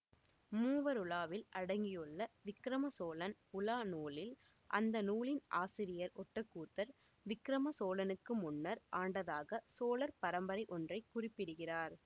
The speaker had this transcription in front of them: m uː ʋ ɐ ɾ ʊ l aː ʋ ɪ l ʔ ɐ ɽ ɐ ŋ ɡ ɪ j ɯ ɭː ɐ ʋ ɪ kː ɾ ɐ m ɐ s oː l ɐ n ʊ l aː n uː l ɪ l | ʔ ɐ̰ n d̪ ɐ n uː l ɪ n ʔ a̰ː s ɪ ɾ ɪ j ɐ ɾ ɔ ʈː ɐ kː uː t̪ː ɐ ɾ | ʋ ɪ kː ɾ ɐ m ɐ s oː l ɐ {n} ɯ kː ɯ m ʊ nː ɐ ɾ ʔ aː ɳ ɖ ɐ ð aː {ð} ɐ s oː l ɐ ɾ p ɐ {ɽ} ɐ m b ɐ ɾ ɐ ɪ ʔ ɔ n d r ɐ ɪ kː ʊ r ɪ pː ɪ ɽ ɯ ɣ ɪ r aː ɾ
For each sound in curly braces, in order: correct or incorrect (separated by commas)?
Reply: correct, incorrect, incorrect